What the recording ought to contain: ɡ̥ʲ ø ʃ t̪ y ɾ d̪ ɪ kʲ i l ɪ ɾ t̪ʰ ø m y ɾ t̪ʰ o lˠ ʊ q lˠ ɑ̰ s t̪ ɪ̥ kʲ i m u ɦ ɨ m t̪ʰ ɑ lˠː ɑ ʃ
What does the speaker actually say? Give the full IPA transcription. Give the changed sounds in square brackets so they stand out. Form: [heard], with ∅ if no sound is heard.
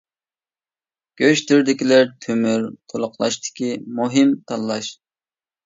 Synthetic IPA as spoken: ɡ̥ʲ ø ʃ t̪ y ɾ d̪ ɪ kʲ i l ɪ ɾ t̪ʰ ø m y ɾ t̪ʰ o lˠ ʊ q lˠ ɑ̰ [ʃ] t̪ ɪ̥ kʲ i m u ɦ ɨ m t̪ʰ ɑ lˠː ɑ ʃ